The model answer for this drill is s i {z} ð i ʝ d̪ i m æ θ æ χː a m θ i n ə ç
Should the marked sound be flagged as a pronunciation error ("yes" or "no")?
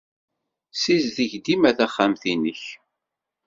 no